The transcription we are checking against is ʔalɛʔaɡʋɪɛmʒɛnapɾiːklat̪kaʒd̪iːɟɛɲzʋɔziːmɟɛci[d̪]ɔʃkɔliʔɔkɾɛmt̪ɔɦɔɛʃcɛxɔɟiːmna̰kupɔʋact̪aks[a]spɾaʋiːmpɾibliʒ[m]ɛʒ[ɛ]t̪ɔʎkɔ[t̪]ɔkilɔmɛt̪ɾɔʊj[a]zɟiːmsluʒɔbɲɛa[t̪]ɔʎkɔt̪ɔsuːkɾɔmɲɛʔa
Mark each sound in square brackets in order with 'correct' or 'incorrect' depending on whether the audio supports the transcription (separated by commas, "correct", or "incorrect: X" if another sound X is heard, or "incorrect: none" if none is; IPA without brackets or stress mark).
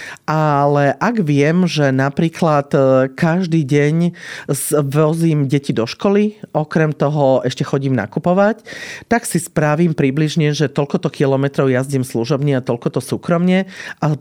correct, incorrect: i, incorrect: ɲ, correct, correct, correct, correct